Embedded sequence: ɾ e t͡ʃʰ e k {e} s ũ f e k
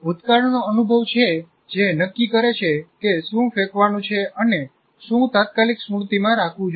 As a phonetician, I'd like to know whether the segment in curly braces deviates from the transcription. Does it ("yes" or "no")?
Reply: no